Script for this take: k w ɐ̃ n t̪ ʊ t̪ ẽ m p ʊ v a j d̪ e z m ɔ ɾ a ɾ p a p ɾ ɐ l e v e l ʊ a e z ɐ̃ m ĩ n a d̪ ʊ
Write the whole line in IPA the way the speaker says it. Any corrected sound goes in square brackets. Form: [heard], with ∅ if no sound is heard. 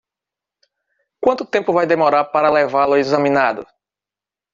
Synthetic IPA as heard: k w ɐ̃ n t̪ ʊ t̪ ẽ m p ʊ v a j d̪ e [∅] m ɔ ɾ a ɾ p a [∅] ɾ ɐ l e v [a] l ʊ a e z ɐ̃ m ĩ n a d̪ ʊ

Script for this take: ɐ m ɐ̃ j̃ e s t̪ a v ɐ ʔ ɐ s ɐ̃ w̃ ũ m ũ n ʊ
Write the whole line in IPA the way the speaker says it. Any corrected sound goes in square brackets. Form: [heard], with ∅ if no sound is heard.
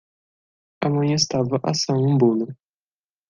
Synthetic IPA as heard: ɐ m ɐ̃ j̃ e s t̪ a v ɐ ʔ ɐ s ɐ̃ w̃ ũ [b] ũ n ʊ

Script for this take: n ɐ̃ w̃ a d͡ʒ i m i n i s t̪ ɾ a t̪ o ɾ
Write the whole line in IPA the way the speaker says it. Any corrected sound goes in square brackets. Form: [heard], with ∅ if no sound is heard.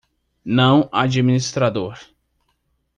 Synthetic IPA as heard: n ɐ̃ w̃ a d͡ʒ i m i n i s t̪ ɾ a [d̪] o ɾ

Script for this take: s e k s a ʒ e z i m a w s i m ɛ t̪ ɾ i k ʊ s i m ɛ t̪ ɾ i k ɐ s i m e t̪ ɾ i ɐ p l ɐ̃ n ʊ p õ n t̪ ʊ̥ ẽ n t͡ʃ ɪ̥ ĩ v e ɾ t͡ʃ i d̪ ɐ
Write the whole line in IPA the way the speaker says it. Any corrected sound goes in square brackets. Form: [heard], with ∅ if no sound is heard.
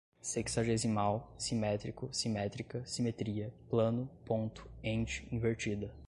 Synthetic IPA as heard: s e k s a ʒ e z i m a w s i m ɛ t̪ ɾ i k ʊ s i m ɛ t̪ ɾ i k ɐ s i m e t̪ ɾ i ɐ p l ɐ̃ n ʊ p õ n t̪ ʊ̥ ẽ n t͡ʃ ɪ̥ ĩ v e ɾ t͡ʃ i d̪ ɐ

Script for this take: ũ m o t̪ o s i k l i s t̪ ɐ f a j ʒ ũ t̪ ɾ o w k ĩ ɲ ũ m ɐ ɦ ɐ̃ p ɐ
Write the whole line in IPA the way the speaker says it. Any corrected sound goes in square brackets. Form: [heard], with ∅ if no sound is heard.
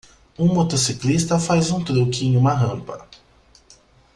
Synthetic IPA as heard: ũ m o t̪ o s i k l i s t̪ ɐ f a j [z] ũ t̪ ɾ o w k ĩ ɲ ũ m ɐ ɦ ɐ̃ p ɐ

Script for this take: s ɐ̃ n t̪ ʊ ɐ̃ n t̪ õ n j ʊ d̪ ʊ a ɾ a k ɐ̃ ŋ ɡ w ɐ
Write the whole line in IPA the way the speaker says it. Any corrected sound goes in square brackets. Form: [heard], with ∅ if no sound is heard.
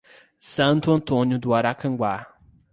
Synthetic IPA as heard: s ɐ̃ n t̪ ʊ ɐ̃ n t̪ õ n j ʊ d̪ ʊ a ɾ a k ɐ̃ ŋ ɡ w [a]

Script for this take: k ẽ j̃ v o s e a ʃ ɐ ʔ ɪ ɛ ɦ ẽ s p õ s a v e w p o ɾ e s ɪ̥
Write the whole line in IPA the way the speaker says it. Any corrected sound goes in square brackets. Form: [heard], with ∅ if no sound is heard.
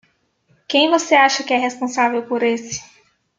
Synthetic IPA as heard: k ẽ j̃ v o s e a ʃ ɐ [k] ɪ ɛ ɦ [e] s p õ s a v e w p o ɾ e s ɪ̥

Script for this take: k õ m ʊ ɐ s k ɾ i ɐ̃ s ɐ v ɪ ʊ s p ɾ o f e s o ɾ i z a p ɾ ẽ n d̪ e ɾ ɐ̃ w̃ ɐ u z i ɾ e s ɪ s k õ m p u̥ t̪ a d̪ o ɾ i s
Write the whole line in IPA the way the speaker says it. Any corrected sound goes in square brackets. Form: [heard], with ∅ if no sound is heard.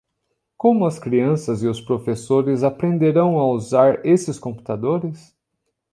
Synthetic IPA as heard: k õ m ʊ ɐ s k ɾ i ɐ̃ s ɐ [z] ɪ ʊ s p ɾ o f e s o ɾ [ɪ] z a p ɾ ẽ n d̪ e ɾ ɐ̃ w̃ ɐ u z [a] ɾ e s ɪ s k õ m p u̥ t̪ a d̪ o ɾ [ɪ] s

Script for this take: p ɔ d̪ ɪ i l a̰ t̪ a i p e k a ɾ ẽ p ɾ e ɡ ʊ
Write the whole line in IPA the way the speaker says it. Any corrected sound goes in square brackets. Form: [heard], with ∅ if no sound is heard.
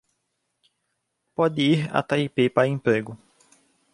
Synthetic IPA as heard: p ɔ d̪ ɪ i [ɾ] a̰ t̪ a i p e [p] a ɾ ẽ p ɾ e ɡ ʊ

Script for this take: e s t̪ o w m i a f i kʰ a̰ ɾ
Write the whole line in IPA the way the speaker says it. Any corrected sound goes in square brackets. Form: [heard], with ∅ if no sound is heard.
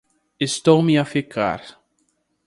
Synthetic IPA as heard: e s t̪ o w m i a f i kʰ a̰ ɾ

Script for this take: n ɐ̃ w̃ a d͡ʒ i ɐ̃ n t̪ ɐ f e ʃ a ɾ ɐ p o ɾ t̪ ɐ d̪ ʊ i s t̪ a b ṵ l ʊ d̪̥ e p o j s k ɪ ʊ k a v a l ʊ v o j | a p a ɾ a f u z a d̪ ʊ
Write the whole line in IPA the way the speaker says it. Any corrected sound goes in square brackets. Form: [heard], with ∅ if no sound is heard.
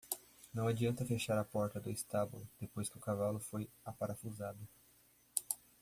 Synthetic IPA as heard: n ɐ̃ w̃ a d͡ʒ i ɐ̃ n t̪ ɐ f e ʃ a ɾ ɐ p [ɔ] ɾ t̪ ɐ d̪ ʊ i s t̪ a b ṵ l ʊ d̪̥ e p o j s k ɪ ʊ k a v a l ʊ [f] o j | a p a ɾ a f u z a d̪ ʊ

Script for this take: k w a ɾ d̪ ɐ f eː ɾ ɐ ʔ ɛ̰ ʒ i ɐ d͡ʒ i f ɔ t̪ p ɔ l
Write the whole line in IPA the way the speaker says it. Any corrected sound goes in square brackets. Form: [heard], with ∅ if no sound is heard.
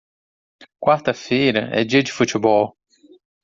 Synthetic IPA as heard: k w a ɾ [t̪] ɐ f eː ɾ ɐ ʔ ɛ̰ [d͡ʒ] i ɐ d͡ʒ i f [u] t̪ [b] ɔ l

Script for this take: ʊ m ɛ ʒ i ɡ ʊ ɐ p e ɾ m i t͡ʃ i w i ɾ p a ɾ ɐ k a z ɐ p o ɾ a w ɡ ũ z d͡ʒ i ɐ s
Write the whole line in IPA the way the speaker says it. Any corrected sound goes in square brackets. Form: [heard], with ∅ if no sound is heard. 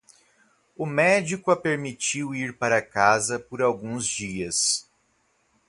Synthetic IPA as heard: ʊ m ɛ [d͡ʒ] i [k] ʊ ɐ p e ɾ m i t͡ʃ i w i ɾ p a ɾ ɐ k a z ɐ p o ɾ a w ɡ ũ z d͡ʒ i ɐ s

